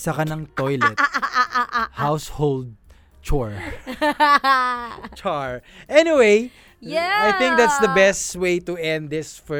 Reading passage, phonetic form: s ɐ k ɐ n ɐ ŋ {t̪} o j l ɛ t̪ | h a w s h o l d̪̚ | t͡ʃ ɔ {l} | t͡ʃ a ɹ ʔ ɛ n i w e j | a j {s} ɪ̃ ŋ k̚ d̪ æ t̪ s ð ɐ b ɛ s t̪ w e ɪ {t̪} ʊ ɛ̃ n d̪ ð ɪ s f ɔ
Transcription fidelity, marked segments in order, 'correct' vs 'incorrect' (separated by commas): correct, incorrect, incorrect, correct